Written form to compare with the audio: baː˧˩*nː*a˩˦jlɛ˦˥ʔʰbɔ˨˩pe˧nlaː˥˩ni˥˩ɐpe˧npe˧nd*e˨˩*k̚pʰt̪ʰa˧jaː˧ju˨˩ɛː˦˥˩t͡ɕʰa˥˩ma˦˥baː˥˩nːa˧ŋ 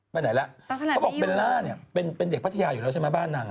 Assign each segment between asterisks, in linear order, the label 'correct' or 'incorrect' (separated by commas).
incorrect, correct